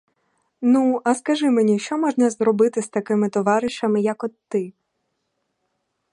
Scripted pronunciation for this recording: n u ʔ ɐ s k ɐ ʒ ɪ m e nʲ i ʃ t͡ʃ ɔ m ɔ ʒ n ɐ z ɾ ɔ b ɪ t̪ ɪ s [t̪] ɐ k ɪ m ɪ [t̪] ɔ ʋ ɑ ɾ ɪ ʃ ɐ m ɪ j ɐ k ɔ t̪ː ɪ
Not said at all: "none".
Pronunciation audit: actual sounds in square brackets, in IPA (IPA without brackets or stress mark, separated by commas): t̪, t̪